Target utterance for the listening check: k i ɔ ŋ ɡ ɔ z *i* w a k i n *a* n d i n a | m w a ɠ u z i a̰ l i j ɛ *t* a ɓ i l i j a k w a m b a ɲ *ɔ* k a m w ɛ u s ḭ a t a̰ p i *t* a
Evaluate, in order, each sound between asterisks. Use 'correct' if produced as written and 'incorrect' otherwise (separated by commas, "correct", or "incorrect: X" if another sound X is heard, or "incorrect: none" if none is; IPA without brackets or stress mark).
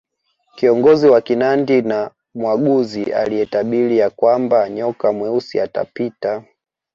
correct, correct, correct, correct, correct